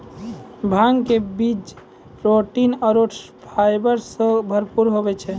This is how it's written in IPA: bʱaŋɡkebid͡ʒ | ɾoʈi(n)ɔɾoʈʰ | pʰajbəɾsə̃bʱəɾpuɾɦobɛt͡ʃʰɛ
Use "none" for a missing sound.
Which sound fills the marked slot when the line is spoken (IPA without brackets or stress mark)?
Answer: n